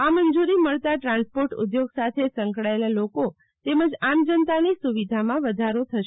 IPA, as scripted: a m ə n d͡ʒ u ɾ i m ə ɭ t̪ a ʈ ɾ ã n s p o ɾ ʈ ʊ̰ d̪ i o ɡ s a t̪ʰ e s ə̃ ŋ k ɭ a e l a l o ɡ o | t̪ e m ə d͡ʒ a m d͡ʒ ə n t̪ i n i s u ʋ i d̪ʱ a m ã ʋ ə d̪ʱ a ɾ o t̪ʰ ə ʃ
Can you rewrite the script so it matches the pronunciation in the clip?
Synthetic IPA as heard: a m ə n d͡ʒ u ɾ i m ə ɭ t̪ a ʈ ɾ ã n s p o ɾ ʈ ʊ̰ d̪ j o ɡ s a t̪ʰ e s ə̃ ŋ k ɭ a e l a l o k o | t̪ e m ə d͡ʒ a m d͡ʒ ə n t̪ a n i s u ʋ i d̪ʱ a m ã ʋ ə d̪ʱ a ɾ o t̪ʰ ə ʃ